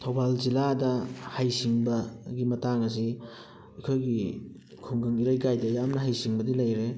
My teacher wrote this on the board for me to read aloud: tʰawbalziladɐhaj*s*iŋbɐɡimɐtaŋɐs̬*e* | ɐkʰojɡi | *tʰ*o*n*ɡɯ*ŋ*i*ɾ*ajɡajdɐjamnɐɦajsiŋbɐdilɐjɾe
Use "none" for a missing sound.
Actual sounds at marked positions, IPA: s, i, kʰ, ŋ, ŋ, ɾ

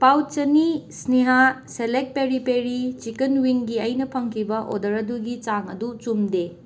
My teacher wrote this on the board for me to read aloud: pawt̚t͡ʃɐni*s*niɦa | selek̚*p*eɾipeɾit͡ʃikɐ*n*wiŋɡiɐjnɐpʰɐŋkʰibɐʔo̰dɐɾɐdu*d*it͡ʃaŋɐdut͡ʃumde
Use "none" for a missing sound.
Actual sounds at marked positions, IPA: s, p, n, ɡ

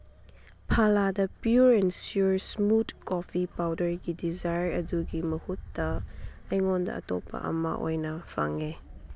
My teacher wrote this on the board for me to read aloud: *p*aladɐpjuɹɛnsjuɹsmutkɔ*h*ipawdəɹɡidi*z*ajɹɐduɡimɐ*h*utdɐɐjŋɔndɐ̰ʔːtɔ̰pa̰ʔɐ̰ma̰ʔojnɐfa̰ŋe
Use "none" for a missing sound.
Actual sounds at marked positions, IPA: pʰ, f, z, h

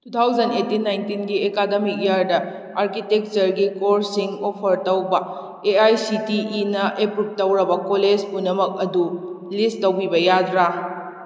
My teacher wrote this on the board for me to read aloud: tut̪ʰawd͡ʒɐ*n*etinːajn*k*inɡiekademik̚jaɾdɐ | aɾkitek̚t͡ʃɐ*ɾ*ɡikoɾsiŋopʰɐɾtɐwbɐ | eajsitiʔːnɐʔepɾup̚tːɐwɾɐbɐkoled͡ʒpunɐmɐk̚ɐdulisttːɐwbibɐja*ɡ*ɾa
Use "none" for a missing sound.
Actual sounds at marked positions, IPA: n, t, ɾ, d

